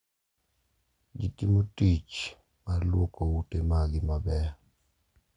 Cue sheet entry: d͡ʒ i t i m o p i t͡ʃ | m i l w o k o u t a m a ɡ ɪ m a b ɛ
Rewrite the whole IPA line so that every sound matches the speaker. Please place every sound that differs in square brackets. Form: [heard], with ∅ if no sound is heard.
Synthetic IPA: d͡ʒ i t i m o [t] i t͡ʃ | m [a] l w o k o u t [e] m a ɡ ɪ m a b ɛ